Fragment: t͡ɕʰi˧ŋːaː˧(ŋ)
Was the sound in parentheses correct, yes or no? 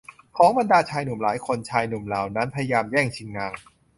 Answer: yes